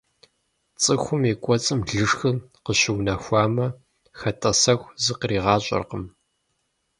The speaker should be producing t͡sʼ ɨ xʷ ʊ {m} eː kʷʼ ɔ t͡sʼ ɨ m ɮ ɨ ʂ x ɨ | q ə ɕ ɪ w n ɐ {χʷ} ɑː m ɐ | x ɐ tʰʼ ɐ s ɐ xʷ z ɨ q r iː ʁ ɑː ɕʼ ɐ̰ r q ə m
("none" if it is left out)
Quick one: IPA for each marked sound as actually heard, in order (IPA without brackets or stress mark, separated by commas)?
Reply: m, xʷ